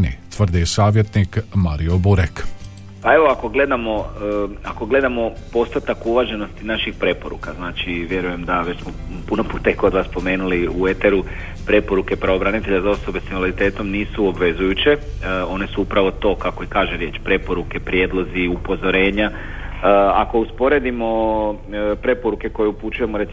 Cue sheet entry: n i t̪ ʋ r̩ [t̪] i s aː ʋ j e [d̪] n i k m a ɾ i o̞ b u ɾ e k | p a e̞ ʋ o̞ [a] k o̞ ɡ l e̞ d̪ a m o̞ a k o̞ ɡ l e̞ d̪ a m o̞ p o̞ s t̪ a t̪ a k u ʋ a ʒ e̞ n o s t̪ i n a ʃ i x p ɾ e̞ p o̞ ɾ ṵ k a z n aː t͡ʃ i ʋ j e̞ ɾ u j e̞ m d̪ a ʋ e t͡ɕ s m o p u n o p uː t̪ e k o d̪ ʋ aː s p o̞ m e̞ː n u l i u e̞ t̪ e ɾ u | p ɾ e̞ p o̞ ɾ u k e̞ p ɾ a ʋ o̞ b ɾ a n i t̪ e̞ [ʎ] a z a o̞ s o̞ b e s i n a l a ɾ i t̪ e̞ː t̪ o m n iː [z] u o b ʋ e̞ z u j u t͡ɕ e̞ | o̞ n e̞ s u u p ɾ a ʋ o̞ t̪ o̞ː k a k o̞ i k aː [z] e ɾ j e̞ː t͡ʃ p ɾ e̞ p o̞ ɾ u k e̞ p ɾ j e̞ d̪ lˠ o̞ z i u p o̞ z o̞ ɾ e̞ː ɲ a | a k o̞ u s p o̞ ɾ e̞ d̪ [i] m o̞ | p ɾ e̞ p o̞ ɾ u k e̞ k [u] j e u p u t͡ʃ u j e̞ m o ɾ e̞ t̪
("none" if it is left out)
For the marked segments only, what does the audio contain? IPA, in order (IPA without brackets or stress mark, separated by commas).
d̪, t̪, a, ʎ, s, ʒ, i, o